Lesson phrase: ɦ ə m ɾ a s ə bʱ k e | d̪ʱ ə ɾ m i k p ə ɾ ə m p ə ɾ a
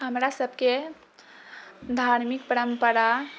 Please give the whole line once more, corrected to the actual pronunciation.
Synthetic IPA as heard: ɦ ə m ɾ a s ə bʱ k e | d̪ʱ a ɾ m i k p ə ɾ ə m p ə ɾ a

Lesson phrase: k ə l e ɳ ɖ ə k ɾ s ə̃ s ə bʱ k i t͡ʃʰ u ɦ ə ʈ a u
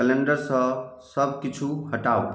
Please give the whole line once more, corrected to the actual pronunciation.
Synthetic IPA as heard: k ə l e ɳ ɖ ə ɾ s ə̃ s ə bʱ k i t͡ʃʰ u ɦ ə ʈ a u

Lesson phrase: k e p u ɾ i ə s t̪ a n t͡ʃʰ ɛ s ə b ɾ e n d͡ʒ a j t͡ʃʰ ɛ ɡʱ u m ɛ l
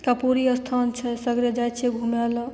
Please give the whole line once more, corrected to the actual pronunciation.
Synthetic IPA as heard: k a p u ɾ i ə s t̪ʰ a n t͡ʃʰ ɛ s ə ɡ ɾ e d͡ʒ a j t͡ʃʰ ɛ ɡʱ u m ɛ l

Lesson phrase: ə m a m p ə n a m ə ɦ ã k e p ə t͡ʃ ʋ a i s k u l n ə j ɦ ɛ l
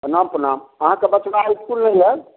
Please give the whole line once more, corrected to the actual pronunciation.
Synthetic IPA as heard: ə n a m p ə n a m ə ɦ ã k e b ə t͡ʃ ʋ a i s k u l n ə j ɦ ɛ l

